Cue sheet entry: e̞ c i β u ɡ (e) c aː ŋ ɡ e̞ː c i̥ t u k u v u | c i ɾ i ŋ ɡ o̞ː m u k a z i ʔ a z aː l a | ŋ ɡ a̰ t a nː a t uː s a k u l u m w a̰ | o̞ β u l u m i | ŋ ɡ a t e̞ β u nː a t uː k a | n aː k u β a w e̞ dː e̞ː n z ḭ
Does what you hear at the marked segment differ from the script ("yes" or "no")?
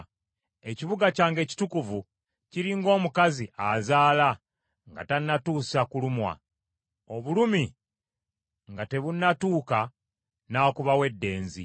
yes